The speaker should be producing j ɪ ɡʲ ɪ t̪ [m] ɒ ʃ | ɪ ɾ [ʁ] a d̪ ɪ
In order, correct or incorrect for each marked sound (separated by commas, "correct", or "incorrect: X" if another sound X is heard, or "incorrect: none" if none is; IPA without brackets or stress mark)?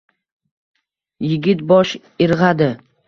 incorrect: b, correct